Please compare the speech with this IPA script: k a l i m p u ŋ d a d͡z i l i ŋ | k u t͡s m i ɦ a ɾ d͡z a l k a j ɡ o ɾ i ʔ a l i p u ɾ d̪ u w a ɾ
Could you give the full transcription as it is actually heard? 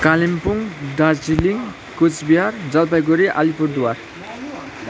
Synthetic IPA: k a l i m p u ŋ d a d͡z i l i ŋ | k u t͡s b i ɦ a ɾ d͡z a l p a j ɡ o ɾ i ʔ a l i p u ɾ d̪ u w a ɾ